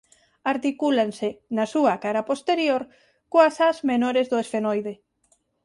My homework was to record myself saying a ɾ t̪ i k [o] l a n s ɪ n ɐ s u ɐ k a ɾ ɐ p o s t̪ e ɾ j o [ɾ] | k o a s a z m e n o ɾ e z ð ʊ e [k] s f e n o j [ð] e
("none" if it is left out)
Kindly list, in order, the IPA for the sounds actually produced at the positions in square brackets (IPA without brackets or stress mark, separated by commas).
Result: u, ɾ, none, ð